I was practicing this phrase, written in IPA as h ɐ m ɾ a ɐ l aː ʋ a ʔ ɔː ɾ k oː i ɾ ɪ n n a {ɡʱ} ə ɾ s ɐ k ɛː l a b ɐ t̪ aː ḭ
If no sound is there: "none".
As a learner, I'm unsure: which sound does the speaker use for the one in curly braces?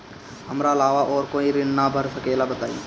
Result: bʱ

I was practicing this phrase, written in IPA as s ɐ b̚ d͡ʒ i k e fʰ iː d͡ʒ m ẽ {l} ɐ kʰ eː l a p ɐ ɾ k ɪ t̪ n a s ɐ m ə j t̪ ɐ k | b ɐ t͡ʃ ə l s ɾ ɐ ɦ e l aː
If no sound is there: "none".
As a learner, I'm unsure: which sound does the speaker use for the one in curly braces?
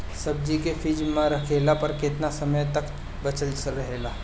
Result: ɾ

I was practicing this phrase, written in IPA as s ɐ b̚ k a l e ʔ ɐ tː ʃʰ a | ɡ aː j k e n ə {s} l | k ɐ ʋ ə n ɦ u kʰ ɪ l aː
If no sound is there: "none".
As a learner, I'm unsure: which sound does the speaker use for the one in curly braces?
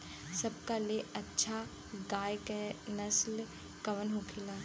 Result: s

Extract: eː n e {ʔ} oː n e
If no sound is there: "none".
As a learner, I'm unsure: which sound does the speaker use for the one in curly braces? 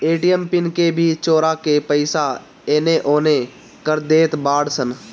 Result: ʔ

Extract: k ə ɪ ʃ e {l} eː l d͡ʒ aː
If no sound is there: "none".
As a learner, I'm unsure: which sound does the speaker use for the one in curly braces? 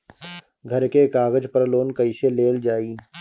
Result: l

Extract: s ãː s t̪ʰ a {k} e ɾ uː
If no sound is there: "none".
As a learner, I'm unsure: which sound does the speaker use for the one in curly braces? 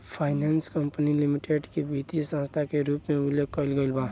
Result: k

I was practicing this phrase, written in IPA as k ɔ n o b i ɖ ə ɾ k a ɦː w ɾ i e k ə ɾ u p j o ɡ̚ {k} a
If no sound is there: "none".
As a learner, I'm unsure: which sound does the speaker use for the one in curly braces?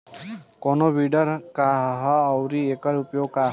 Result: k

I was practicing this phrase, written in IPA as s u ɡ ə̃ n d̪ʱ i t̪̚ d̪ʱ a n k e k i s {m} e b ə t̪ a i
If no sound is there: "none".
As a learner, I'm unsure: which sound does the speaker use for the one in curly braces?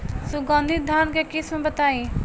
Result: m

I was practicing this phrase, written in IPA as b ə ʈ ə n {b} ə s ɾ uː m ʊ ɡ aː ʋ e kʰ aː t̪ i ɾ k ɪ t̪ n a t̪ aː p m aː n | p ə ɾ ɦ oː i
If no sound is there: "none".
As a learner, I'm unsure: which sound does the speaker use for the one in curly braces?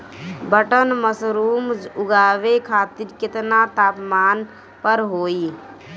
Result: m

